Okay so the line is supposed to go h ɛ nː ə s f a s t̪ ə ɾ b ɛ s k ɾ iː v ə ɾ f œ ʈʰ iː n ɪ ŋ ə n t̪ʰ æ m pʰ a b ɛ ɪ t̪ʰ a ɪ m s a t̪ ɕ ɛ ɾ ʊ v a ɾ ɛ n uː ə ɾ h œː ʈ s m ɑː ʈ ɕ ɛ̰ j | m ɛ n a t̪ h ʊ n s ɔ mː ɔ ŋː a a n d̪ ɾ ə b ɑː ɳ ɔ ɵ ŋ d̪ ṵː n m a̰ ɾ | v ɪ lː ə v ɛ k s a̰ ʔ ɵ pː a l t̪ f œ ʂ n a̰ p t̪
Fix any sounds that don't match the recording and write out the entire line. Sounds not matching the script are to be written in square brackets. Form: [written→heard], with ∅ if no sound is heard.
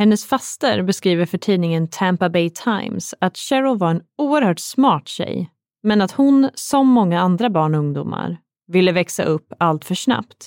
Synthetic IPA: h ɛ nː ə s f a s t̪ ə ɾ b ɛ s k ɾ iː v ə ɾ f œ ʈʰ iː n ɪ ŋ ə n t̪ʰ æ m [pʰ→p] a b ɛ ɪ t̪ʰ a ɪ m s a t̪ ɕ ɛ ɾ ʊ v a ɾ ɛ n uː ə ɾ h œː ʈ s m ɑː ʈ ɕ ɛ̰ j | m ɛ n a t̪ h ʊ n s ɔ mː ɔ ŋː a a n d̪ ɾ [ə→a] b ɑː ɳ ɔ ɵ ŋ d̪ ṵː [n→∅] m a̰ ɾ | v ɪ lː ə v ɛ k s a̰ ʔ ɵ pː a l t̪ f œ ʂ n a̰ p t̪